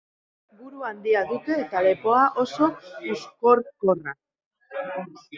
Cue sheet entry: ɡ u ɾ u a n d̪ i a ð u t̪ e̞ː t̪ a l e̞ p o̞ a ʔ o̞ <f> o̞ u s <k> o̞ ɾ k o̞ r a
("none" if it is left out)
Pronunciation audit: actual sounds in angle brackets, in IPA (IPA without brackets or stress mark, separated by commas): s, k